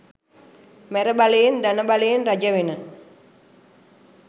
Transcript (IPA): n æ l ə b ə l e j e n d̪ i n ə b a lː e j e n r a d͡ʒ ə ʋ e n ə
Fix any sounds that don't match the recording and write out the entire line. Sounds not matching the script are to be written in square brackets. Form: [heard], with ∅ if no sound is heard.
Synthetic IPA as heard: [m] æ [ɾ] ə b [a] l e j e n d̪ [a] n ə b a [l] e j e n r a d͡ʒ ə ʋ e n ə